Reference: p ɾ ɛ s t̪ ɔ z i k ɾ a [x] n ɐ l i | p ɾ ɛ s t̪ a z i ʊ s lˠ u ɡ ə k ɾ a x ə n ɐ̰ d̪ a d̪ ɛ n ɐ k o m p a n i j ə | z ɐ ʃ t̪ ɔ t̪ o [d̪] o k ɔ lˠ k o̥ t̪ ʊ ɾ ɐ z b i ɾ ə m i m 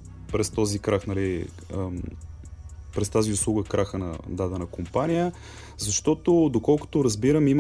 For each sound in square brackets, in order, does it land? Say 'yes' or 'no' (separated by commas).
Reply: yes, yes